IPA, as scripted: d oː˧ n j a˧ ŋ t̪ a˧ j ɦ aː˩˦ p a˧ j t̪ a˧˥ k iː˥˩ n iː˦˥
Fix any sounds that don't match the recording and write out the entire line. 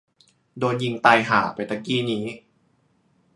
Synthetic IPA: d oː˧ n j i˧ ŋ t̪ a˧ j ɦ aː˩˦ p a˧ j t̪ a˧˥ k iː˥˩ n iː˦˥